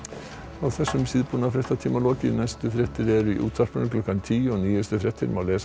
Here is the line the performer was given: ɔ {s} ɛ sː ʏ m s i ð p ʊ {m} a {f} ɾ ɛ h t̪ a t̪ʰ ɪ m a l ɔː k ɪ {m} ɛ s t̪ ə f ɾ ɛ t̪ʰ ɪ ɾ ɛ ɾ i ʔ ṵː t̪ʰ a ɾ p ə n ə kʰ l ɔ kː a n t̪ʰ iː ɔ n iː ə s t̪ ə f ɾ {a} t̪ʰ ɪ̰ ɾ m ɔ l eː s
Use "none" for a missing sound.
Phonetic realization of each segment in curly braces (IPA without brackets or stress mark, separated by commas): θ, n, f, n, ɛ